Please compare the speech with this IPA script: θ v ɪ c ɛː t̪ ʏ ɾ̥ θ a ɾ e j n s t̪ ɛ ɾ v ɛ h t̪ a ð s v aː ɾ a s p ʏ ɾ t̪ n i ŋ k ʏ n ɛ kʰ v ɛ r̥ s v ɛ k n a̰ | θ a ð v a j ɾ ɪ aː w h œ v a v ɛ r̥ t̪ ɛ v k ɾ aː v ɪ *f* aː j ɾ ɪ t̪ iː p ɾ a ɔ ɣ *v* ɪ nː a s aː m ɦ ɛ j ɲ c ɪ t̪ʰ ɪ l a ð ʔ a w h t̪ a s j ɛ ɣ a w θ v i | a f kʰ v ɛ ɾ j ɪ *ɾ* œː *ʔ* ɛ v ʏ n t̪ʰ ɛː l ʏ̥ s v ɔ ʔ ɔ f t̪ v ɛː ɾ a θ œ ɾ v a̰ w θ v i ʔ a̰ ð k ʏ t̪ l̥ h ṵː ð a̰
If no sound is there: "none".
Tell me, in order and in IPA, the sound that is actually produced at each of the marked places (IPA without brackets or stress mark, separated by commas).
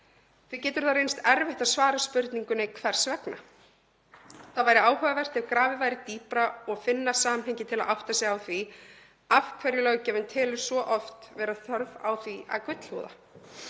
v, f, l, c